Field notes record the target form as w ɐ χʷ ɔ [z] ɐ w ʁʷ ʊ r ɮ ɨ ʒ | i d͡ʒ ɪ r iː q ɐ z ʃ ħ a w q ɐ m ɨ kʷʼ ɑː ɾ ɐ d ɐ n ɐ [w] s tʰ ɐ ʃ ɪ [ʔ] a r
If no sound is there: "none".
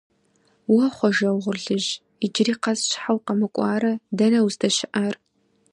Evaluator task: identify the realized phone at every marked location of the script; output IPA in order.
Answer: ʒ, w, ʔ

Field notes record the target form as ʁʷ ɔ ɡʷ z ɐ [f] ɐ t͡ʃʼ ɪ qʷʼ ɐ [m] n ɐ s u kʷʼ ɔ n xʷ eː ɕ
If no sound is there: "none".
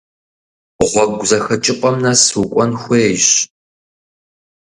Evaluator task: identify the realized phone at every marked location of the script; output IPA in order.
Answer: x, m

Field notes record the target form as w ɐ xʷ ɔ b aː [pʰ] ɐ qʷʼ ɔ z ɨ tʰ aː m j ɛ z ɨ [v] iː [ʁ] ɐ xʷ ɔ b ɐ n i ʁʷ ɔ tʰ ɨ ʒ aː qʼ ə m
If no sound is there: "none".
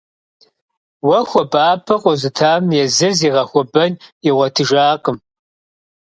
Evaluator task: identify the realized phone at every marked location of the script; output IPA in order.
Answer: pʰ, z, ʁ

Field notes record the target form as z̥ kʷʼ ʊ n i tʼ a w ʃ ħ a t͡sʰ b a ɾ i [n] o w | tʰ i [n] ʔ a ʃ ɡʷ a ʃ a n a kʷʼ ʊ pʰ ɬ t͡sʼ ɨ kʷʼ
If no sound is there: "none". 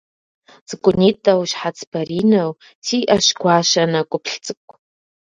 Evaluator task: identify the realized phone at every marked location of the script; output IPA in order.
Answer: n, none

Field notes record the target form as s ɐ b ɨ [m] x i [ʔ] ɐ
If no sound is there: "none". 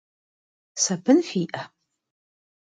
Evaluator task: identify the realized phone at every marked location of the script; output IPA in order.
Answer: n, ʔ

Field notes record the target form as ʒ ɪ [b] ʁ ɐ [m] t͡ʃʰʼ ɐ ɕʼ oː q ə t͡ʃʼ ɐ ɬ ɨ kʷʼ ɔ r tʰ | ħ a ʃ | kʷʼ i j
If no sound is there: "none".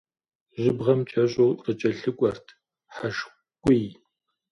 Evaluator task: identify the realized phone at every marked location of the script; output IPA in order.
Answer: b, m

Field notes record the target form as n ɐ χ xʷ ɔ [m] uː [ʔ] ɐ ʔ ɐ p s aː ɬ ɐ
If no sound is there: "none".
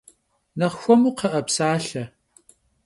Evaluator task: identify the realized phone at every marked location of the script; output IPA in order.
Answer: m, q

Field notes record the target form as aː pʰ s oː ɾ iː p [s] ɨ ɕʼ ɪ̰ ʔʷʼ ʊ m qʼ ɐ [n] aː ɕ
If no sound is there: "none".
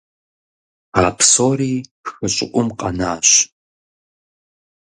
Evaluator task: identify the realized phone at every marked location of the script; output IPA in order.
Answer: x, n

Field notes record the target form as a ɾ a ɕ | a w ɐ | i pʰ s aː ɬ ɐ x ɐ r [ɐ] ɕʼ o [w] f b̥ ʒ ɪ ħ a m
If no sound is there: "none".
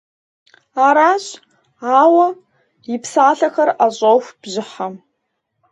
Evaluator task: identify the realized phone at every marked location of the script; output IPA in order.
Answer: a, w

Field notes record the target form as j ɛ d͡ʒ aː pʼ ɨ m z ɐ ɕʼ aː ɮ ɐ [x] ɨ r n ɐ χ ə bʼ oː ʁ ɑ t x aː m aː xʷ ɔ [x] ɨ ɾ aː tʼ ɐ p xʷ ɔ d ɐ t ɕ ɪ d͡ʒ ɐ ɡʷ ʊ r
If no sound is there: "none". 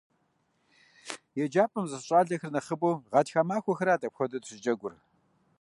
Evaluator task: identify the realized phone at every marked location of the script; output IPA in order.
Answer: x, x

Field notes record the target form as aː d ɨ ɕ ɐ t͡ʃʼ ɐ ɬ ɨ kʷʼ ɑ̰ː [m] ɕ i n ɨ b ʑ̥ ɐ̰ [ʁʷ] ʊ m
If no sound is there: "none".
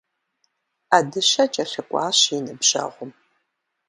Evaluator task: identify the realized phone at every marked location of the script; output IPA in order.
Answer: none, ʁʷ

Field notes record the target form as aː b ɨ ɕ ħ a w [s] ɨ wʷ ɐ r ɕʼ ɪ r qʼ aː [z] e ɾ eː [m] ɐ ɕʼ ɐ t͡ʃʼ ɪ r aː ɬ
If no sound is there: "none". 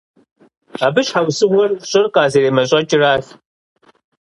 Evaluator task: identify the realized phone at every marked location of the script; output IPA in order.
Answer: s, z, m

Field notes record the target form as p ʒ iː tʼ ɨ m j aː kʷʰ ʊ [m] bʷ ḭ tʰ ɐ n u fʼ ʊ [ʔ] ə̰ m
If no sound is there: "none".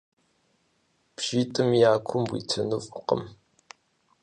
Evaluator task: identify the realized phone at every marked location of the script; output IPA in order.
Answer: m, q

